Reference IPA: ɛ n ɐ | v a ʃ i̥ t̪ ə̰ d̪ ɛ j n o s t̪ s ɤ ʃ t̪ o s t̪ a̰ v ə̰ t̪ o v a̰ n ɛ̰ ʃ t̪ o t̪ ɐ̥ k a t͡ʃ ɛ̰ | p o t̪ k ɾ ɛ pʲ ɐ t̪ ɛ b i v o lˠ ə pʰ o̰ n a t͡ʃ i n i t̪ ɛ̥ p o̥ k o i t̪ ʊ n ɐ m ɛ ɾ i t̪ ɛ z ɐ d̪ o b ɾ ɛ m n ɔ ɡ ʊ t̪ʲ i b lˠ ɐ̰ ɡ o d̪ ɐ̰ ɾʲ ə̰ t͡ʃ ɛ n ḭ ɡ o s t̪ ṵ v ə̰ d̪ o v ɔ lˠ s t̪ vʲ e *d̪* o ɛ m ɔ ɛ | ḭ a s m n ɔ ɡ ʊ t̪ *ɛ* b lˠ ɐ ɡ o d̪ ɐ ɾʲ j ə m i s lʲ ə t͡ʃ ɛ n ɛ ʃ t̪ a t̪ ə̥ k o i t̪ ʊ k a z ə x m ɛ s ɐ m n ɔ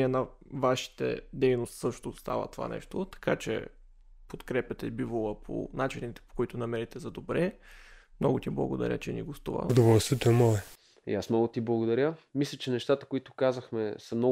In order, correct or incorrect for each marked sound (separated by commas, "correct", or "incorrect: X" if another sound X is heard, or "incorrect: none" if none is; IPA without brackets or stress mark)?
incorrect: t̪, incorrect: i